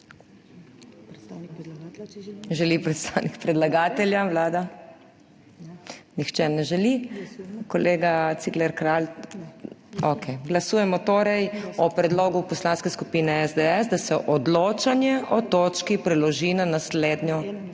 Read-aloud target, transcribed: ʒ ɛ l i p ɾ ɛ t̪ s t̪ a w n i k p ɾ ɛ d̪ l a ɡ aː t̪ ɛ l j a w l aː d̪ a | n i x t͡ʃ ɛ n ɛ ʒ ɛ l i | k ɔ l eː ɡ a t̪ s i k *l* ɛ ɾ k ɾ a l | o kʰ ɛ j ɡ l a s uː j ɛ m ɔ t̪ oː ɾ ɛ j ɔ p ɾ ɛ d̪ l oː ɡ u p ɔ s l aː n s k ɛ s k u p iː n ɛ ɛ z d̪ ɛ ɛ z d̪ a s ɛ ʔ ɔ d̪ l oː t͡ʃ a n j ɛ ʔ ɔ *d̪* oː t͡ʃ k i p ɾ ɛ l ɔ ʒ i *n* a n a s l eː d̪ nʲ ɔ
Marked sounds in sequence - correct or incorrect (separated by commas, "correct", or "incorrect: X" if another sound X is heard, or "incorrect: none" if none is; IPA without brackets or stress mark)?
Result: correct, incorrect: t̪, correct